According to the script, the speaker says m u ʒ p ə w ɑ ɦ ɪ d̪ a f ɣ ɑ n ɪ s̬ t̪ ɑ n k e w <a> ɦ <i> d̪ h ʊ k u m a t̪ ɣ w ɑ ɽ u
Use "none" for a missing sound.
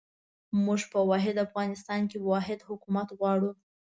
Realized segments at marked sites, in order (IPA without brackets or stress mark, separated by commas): ɑ, ɪ